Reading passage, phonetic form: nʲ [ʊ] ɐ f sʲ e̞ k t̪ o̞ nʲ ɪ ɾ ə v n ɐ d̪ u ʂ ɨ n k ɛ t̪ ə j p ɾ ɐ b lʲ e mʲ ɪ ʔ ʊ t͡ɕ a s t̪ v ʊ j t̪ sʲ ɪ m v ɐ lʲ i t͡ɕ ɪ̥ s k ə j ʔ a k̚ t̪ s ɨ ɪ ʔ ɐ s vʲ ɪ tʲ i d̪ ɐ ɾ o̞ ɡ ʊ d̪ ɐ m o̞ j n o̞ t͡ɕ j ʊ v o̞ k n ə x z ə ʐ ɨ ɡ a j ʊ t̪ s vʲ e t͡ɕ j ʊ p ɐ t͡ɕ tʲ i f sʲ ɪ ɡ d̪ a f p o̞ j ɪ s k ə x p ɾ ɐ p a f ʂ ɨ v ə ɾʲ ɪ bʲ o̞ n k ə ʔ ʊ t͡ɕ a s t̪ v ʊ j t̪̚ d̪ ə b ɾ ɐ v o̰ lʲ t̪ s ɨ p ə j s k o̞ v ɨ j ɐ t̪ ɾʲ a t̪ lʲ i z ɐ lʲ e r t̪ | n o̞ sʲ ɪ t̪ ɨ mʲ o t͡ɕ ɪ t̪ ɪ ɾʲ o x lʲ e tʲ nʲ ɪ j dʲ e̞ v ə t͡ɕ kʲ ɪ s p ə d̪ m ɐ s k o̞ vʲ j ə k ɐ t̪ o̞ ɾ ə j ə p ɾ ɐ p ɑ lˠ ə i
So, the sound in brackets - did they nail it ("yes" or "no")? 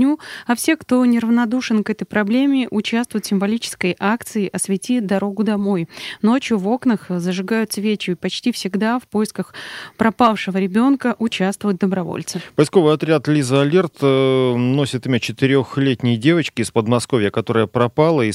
no